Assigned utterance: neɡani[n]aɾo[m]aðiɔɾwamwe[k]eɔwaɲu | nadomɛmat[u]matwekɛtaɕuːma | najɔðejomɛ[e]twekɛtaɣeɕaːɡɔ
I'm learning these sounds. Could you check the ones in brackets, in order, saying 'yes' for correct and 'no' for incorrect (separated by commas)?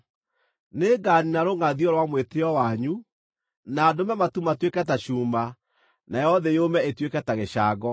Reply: yes, no, no, yes, yes